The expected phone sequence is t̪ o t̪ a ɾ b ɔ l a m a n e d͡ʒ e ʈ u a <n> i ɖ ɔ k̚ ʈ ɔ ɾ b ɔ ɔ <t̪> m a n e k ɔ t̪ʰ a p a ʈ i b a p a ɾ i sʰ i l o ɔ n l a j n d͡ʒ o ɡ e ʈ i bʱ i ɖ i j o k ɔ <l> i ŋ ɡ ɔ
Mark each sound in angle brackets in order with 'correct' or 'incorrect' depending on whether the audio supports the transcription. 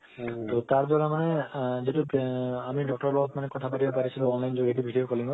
incorrect: m, correct, correct

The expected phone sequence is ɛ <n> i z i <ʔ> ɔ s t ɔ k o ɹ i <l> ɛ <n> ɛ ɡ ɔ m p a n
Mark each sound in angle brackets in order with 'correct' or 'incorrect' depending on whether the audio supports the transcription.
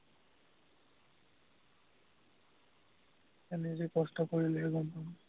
correct, incorrect: k, correct, incorrect: none

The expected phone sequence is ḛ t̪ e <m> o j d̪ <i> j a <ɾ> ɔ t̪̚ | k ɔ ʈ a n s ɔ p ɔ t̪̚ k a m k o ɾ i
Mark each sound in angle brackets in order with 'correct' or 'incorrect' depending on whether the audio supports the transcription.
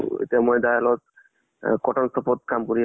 correct, incorrect: a, incorrect: l

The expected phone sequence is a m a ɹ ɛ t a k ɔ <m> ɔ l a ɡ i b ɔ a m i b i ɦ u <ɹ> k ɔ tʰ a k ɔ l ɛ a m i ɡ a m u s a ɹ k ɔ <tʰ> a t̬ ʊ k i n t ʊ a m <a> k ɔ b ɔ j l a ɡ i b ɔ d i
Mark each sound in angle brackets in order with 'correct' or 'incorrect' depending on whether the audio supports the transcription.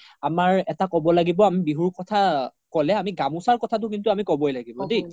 incorrect: b, correct, correct, incorrect: i

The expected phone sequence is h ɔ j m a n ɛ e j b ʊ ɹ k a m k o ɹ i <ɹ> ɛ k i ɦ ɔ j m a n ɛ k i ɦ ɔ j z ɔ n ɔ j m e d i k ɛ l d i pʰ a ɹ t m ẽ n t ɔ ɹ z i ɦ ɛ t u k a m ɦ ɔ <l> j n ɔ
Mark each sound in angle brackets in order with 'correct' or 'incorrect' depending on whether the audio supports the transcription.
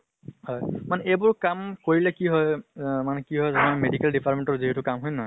incorrect: l, incorrect: none

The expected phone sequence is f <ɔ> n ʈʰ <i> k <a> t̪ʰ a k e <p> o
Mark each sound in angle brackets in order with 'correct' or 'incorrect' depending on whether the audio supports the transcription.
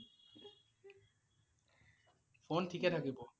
incorrect: o, correct, incorrect: e, incorrect: b

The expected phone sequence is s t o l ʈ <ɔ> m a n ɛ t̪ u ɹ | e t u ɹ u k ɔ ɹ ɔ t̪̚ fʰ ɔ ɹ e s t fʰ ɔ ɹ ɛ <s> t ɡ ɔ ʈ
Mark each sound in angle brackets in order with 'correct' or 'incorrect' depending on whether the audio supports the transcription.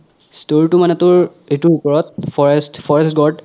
incorrect: u, correct

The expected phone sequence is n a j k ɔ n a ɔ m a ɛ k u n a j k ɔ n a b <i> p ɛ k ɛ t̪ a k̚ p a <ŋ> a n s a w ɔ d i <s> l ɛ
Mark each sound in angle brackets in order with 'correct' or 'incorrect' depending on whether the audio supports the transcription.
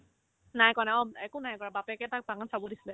incorrect: a, correct, correct

